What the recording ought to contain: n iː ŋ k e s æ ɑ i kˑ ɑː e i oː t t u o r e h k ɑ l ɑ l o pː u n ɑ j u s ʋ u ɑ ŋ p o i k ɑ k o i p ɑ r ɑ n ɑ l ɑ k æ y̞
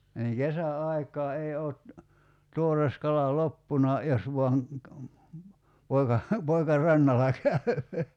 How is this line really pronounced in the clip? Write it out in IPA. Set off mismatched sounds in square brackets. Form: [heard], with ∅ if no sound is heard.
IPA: n iː ŋ k e s æ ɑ i kˑ ɑː e i oː t t u o r e [s] k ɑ l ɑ l o pː u n ɑ j [o] s ʋ u ɑ ŋ p o i k ɑ [p] o i [k] ɑ r ɑ [nː] ɑ l ɑ k æ y̞